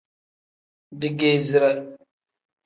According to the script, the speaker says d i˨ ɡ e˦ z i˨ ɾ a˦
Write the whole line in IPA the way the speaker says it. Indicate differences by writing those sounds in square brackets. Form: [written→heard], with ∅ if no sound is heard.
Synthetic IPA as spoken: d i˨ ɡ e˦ z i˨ ɾ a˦